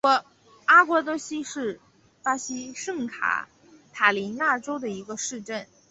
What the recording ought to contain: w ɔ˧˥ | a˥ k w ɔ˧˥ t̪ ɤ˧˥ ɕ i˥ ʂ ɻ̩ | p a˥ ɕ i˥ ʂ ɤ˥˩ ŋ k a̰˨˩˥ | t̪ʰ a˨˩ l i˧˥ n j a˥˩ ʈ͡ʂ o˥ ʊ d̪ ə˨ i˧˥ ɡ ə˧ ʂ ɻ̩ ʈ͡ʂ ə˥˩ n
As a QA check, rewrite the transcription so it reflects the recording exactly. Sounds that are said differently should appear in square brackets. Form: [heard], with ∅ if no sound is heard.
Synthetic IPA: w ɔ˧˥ | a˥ k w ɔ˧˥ t̪ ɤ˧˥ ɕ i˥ ʂ ɻ̩ | p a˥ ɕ i˥ ʂ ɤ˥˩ ŋ [kʰ] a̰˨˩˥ | t̪ʰ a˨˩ l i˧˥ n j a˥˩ ʈ͡ʂ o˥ ʊ d̪ ə˨ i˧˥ ɡ ə˧ ʂ ɻ̩ ʈ͡ʂ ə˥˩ n